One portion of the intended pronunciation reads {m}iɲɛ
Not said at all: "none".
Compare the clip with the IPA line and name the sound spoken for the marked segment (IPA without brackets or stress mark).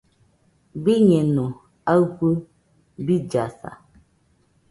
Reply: b